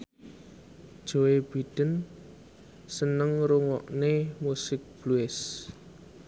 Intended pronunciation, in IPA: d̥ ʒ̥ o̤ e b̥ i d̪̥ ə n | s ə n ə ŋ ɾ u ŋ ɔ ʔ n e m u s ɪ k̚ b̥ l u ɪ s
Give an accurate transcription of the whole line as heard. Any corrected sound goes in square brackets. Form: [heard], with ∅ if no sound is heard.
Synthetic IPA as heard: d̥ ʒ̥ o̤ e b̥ i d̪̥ ə n | s ə n ə ŋ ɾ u ŋ ɔ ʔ n e m u s ɪ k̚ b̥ l u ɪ s